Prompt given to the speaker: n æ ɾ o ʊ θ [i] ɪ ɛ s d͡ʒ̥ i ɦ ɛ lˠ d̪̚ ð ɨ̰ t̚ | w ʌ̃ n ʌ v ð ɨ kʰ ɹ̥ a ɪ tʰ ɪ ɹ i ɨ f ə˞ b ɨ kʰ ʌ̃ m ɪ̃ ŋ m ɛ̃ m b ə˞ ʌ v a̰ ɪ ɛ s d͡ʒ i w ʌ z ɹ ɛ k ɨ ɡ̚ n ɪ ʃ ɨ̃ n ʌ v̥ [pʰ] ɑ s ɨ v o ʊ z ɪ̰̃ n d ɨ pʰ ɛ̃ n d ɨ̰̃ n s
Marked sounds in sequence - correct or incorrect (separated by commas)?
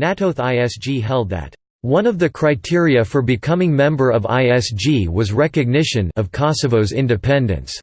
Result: incorrect, incorrect